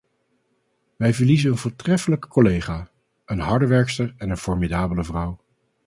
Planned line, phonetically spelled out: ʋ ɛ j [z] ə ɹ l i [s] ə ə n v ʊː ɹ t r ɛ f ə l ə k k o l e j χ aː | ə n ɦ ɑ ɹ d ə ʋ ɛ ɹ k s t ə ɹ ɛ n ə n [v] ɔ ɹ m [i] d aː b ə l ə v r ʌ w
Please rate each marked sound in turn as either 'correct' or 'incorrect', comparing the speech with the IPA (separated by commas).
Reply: incorrect, incorrect, incorrect, correct